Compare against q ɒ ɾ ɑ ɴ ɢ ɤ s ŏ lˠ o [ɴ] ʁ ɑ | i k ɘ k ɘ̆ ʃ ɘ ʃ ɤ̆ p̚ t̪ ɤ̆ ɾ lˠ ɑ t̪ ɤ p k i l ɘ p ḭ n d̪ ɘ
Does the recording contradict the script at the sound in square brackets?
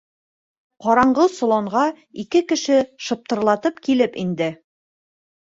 no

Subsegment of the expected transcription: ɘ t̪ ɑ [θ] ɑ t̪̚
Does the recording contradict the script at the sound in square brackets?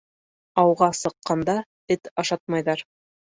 yes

